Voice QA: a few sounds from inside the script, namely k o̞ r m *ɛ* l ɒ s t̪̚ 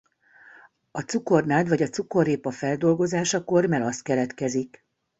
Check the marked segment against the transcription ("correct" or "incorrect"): correct